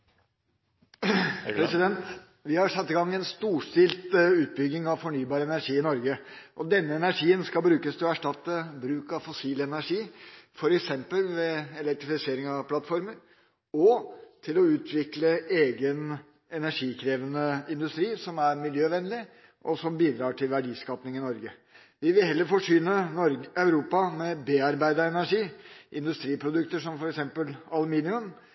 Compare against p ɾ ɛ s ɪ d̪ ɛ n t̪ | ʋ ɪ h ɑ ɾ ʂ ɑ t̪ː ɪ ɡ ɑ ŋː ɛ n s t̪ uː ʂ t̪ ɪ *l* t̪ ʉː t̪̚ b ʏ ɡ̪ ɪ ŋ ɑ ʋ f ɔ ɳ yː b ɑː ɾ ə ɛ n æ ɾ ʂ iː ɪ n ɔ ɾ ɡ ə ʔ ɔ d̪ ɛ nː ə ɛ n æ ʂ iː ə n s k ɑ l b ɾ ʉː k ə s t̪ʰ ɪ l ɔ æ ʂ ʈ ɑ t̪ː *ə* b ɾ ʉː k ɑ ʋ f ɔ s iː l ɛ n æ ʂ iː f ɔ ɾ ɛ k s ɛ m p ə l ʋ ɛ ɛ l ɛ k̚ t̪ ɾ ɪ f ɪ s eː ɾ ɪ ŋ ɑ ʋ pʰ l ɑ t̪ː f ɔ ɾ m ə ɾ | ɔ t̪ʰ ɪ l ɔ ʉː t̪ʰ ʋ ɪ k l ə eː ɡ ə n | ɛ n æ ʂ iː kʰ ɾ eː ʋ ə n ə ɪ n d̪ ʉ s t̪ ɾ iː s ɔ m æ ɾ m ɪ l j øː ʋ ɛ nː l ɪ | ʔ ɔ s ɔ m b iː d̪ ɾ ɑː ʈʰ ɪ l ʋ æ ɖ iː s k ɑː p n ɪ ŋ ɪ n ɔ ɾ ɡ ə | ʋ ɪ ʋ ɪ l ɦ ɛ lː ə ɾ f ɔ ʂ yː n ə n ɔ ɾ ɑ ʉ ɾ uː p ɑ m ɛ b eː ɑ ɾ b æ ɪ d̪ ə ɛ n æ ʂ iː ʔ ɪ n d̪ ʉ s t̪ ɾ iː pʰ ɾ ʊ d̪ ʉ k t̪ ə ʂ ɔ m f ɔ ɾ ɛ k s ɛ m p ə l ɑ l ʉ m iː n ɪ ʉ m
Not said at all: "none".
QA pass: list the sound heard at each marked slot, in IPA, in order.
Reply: l, ə

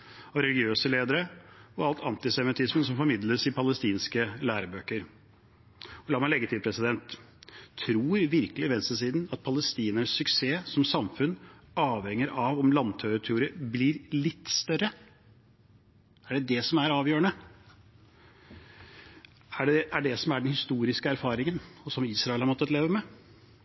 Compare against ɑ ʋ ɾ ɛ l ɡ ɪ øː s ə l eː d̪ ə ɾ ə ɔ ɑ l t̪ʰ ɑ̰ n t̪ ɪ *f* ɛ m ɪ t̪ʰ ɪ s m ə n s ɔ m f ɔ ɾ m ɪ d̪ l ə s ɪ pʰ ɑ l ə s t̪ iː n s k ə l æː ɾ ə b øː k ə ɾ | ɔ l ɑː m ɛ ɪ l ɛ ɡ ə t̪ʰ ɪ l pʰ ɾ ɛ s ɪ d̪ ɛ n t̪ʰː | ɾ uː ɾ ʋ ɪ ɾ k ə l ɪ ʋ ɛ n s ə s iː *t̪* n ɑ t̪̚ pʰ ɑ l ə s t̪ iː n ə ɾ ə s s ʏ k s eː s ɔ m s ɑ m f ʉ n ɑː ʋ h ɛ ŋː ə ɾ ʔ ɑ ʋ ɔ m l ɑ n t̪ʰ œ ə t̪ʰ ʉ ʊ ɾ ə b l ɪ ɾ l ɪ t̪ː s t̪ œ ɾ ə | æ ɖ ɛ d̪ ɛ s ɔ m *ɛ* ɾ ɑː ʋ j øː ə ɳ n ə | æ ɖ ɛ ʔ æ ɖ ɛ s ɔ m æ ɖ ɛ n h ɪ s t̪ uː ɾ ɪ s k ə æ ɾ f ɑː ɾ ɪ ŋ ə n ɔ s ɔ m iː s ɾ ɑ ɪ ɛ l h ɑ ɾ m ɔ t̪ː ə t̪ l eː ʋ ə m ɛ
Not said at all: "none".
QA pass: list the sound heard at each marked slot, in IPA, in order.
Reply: s, d̪, æ

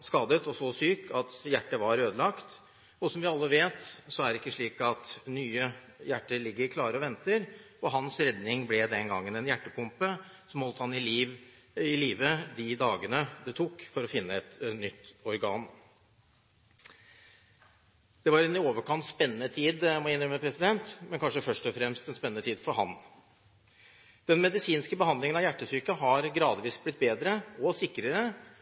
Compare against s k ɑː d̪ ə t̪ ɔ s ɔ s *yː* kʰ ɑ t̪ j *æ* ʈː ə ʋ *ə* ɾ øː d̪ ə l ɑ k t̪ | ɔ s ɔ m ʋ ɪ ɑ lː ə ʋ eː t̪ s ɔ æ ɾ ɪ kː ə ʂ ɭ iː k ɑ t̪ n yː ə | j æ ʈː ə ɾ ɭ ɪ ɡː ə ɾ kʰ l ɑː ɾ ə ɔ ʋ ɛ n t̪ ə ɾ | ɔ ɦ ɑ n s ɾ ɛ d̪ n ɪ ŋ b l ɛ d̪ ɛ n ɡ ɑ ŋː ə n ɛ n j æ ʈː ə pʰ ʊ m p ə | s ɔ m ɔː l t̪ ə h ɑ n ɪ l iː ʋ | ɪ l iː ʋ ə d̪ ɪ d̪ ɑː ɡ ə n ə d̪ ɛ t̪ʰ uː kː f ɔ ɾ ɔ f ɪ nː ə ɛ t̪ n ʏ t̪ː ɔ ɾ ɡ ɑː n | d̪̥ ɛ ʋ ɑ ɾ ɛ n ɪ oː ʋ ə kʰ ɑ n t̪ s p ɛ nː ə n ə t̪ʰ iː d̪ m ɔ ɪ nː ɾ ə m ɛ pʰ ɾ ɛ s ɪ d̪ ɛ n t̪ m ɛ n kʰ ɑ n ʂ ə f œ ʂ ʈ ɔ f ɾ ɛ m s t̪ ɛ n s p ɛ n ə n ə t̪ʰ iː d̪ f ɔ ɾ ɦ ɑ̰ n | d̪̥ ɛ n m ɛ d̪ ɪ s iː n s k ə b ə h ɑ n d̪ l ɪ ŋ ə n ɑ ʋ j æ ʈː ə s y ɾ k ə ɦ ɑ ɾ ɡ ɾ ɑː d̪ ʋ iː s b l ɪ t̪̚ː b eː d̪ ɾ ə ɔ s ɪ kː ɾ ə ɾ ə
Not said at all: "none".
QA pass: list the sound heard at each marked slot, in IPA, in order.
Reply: yː, æ, ɑ

